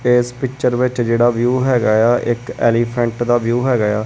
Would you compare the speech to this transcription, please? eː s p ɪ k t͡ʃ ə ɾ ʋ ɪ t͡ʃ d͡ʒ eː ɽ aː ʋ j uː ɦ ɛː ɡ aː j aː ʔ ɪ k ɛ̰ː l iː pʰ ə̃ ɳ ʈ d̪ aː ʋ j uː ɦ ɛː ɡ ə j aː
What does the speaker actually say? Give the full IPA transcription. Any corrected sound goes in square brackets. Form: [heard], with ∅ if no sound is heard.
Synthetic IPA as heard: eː s p ɪ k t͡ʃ ə ɾ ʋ ɪ t͡ʃ d͡ʒ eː ɽ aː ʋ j uː ɦ ɛː ɡ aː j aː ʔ ɪ k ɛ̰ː l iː pʰ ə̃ ɳ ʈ d̪ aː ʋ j uː ɦ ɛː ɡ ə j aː